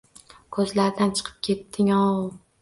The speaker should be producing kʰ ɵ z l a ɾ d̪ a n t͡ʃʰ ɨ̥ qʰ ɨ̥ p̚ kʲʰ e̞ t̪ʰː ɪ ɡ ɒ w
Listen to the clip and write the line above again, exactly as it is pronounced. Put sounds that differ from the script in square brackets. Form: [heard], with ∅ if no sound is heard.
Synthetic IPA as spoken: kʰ ɵ z l a ɾ d̪ a n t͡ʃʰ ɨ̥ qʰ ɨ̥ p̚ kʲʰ e̞ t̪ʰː ɪ [ŋ] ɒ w

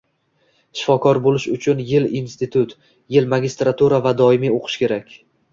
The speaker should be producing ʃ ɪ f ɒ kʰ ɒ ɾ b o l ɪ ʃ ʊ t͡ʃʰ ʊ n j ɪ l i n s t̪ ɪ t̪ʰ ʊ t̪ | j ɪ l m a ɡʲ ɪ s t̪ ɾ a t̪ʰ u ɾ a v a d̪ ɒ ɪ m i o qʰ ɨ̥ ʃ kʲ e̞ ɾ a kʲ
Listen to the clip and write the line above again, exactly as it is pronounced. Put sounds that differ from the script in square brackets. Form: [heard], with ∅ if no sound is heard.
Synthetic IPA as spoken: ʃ ɪ f ɒ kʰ ɒ ɾ b o l ɪ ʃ ʊ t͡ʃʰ ʊ n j ɪ l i n s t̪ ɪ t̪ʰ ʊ t̪ | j ɪ l m a ɡʲ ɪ s t̪ ɾ a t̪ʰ u ɾ a v a d̪ ɒ ɪ m i o qʰ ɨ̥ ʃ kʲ e̞ ɾ a kʲ

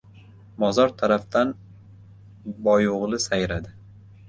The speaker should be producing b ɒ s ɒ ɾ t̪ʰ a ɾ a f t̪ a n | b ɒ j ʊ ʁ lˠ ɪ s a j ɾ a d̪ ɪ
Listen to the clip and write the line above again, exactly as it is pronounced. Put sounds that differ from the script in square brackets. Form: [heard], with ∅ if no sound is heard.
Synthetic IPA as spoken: b ɒ [z] ɒ ɾ t̪ʰ a ɾ a f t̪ a n | b ɒ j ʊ ʁ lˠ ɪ s a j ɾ a d̪ ɪ

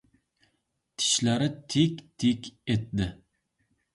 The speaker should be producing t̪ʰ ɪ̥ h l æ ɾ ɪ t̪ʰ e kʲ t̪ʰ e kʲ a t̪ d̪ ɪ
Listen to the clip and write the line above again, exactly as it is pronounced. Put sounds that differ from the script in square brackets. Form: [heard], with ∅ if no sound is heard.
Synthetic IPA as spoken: t̪ʰ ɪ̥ [ʃ] l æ ɾ ɪ t̪ʰ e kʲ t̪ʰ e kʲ [e] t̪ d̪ ɪ

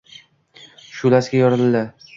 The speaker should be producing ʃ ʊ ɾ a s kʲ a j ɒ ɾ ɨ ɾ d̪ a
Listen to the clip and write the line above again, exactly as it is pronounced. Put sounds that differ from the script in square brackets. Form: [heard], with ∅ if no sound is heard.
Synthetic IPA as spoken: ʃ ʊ [l] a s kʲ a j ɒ ɾ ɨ [l] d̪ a

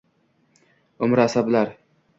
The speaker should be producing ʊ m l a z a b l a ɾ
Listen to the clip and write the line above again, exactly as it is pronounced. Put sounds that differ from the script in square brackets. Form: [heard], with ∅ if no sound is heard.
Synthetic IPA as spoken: ʊ m [ɾ] a [s] a b l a ɾ

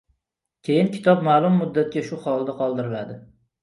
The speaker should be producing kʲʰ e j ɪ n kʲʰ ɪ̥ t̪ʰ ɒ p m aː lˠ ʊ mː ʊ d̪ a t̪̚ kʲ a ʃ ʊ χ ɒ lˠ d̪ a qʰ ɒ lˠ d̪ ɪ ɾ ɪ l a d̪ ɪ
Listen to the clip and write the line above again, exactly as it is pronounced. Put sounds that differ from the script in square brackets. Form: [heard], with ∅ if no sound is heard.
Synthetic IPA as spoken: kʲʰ e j ɪ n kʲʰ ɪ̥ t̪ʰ ɒ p m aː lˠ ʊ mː ʊ [d̪ː] a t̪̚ kʲ a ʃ ʊ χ ɒ lˠ d̪ a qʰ ɒ lˠ d̪ ɪ ɾ ɪ l a d̪ ɪ

